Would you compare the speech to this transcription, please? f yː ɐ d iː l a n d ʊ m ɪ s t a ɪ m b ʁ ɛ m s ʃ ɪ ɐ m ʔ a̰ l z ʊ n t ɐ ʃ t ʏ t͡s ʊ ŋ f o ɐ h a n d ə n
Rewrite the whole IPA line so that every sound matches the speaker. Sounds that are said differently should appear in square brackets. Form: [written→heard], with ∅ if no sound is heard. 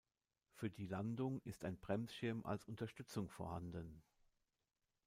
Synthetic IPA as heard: f yː ɐ d iː l a n d ʊ [m→ŋ] ɪ s t a ɪ [m→n] b ʁ ɛ m s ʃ ɪ ɐ m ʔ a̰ l [z→s] ʊ n t ɐ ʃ t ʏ t͡s ʊ ŋ f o ɐ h a n d ə n